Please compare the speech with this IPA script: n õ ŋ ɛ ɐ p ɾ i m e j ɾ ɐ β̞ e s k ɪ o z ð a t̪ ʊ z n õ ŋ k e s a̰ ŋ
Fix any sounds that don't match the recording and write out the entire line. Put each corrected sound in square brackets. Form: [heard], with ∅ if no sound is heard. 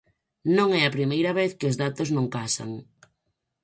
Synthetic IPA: n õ ŋ ɛ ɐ p ɾ i m e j ɾ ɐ β̞ e [θ] k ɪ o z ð a t̪ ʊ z n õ ŋ k [a] s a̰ ŋ